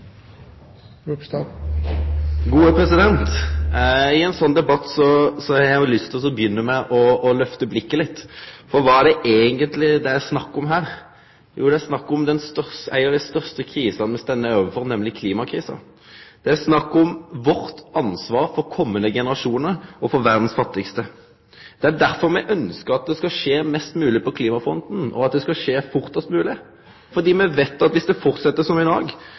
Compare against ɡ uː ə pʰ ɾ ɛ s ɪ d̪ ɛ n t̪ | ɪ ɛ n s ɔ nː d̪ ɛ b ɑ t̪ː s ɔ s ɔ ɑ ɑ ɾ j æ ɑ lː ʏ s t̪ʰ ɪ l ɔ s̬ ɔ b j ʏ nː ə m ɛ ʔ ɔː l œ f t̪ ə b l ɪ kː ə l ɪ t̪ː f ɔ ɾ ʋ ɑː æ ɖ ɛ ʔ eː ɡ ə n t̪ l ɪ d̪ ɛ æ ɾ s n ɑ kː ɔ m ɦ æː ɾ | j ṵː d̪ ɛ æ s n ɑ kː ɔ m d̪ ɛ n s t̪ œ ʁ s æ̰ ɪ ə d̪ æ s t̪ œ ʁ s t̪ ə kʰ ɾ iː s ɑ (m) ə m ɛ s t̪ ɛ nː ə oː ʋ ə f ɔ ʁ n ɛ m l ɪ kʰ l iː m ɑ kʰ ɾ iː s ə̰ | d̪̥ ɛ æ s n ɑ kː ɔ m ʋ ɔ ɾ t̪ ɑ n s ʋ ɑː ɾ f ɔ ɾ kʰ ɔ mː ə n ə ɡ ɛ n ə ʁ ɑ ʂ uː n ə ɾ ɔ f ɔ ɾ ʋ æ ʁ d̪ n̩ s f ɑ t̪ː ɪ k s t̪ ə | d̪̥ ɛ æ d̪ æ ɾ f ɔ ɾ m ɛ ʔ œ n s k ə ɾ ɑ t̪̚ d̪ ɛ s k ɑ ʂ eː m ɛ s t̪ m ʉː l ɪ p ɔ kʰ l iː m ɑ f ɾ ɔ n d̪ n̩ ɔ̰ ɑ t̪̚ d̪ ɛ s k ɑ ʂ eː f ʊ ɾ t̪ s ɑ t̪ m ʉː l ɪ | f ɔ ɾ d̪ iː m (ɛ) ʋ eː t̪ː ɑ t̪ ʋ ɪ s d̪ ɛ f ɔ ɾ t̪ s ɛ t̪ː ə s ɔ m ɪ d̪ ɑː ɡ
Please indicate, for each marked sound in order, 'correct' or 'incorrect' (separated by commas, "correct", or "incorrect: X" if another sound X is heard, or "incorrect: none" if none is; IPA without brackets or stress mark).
incorrect: n, correct